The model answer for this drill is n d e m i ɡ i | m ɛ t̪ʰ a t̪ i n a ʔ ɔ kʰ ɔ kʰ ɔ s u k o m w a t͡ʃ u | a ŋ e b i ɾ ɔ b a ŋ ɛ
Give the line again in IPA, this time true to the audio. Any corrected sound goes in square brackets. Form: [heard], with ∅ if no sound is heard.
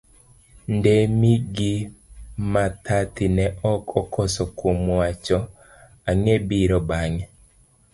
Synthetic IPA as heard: n d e m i ɡ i | m [a] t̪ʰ a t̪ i n [ɛ] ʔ ɔ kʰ ɔ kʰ ɔ s [ɔ] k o m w a t͡ʃ [ɔ] | a ŋ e b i ɾ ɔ b a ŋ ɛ

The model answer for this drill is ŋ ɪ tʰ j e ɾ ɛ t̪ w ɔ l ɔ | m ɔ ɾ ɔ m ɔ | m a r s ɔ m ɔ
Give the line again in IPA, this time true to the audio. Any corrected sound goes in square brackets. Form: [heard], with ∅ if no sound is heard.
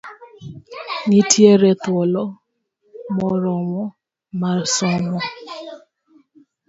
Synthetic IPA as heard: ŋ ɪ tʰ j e ɾ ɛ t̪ w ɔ l ɔ | m ɔ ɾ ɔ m ɔ | m a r s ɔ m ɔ

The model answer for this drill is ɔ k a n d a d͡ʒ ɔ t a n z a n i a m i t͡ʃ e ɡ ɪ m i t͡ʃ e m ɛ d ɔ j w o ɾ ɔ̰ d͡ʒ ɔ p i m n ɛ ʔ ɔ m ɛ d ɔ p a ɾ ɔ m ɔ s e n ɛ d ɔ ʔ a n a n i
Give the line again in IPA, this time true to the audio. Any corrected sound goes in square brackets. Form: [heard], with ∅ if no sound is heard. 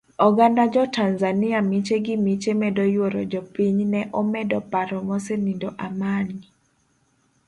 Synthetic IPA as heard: ɔ [ɡ] a n d a d͡ʒ ɔ t a n z a n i a m i t͡ʃ e ɡ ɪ m i t͡ʃ e m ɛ d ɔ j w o ɾ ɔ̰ d͡ʒ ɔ p i [ɲ] n ɛ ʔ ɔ m ɛ d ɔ p a ɾ ɔ m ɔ s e n [i] d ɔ ʔ a [m] a n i

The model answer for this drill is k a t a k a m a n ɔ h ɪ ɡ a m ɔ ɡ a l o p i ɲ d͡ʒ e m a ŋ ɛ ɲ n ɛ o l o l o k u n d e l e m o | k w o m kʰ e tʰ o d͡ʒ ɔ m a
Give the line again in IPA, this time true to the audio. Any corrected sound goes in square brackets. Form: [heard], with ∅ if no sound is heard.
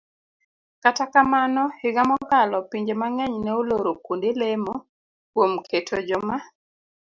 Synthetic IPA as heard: k a t a k a m a n ɔ h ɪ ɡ a m ɔ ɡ a l [ɔ] p i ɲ d͡ʒ e m a ŋ ɛ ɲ n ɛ o l o [ɾ] o k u n d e l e m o | k w o m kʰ e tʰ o d͡ʒ ɔ m a

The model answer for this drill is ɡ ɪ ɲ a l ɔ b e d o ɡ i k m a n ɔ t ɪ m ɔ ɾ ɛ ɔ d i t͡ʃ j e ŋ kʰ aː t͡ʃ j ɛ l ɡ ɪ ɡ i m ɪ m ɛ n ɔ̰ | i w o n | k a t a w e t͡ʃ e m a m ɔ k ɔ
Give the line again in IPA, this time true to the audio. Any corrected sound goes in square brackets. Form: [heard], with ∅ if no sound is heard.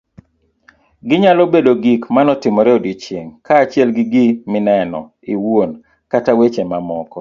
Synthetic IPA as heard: ɡ ɪ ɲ a l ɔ b e d o ɡ i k m a n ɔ t ɪ m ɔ ɾ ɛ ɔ d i t͡ʃ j e ŋ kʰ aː t͡ʃ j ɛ l ɡ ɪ ɡ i m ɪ [n] ɛ n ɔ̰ | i w o n | k a t a w e t͡ʃ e m a m ɔ k ɔ

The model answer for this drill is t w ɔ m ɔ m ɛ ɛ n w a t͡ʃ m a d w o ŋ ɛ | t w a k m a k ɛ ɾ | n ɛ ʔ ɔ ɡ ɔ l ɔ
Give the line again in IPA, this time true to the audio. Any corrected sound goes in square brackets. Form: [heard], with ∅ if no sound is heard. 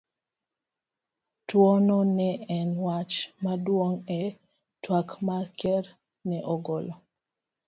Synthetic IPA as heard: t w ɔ [n] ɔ [n] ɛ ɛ n w a t͡ʃ m a d w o ŋ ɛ | t w a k m a k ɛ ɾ | n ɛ ʔ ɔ ɡ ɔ l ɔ

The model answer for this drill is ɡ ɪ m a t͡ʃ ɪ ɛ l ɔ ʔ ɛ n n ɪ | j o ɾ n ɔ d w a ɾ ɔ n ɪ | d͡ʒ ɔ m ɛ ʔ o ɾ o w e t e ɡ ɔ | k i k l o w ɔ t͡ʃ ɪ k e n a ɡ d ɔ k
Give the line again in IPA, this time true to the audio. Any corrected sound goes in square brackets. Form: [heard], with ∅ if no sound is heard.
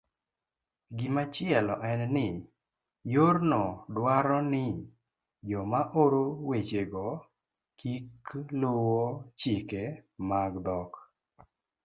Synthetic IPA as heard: ɡ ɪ m a t͡ʃ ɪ ɛ l ɔ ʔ ɛ n n ɪ | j o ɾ n ɔ d w a ɾ ɔ n ɪ | d͡ʒ ɔ m [a] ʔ o ɾ o w e [t͡ʃ] e ɡ ɔ | k i k l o w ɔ t͡ʃ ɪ k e [m] a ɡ d ɔ k

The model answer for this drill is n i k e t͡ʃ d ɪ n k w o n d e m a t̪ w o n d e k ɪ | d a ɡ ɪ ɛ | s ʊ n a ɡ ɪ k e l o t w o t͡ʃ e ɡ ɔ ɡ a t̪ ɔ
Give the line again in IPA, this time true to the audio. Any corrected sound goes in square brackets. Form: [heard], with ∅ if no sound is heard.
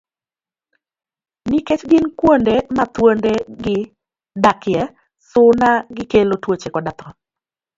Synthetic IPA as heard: n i k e t͡ʃ [ɡ] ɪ n k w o n d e m a t̪ w o n d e [ɡ] ɪ | d a [k] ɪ ɛ | s ʊ n a ɡ ɪ k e l o t w o t͡ʃ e [k] ɔ [d] a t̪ ɔ

